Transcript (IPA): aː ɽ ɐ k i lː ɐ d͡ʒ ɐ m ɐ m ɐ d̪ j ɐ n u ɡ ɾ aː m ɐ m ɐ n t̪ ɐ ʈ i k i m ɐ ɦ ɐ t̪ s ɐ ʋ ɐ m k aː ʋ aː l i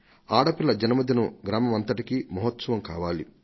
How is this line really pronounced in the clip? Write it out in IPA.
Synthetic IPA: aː ɽ ɐ p i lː ɐ d͡ʒ ɐ n ɐ m ɐ d̪ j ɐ n u ɡ ɾ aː m ɐ m ɐ n t̪ ɐ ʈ i k i m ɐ ɦ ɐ t̪ s ɐ ʋ ɐ m k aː ʋ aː l i